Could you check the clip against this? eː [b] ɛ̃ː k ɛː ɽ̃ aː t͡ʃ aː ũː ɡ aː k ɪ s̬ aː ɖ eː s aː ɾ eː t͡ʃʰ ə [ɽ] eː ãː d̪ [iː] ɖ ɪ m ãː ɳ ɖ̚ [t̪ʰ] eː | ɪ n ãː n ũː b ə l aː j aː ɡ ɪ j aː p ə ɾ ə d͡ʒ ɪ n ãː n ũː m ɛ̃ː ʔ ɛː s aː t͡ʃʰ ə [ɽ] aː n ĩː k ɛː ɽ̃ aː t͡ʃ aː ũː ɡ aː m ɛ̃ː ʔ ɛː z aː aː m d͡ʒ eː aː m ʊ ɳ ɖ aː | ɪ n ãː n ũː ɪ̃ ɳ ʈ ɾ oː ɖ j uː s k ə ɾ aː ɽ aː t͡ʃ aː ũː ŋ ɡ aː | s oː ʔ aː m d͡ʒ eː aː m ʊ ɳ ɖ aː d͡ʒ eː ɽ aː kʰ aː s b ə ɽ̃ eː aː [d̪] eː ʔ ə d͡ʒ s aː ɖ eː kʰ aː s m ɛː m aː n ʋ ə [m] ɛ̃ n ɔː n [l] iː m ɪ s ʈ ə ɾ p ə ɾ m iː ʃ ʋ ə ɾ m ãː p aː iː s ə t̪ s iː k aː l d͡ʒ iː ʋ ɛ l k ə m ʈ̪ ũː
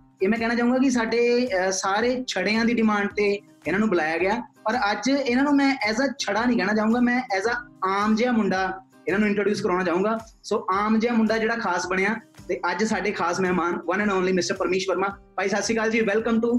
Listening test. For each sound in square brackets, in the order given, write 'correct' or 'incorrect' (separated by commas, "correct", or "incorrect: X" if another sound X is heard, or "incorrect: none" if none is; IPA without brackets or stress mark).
incorrect: m, correct, correct, incorrect: t̪, correct, incorrect: t̪, incorrect: n, correct